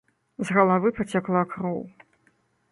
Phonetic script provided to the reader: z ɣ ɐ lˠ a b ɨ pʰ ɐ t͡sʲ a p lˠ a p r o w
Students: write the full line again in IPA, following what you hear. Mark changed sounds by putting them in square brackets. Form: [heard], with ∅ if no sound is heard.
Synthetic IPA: z ɣ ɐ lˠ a [v] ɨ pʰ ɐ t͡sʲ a [k] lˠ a [k] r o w